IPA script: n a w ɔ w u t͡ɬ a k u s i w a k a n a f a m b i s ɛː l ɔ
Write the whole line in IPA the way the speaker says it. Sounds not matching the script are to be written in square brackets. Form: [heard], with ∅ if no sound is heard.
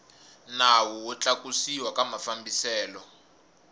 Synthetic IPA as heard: n a w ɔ w [ɔ] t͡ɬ a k u s i w a k a [m] a f a m b i s ɛː l ɔ